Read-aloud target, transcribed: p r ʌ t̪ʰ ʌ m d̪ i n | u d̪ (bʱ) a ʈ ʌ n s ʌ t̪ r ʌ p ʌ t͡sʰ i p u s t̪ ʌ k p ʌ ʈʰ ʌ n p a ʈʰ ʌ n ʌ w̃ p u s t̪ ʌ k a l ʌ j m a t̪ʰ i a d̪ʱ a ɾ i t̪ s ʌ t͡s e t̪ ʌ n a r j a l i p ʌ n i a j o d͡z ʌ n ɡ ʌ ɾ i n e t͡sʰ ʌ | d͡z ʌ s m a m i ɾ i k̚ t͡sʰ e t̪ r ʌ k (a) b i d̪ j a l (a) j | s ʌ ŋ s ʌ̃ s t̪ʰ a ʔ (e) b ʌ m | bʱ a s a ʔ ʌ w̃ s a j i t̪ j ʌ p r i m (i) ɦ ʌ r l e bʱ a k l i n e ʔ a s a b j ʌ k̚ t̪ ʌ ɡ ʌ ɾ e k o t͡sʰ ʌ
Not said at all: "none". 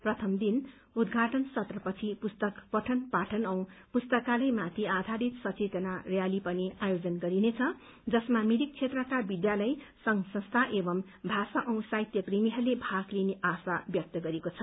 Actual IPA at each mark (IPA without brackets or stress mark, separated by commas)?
ɡʱ, a, ʌ, e, i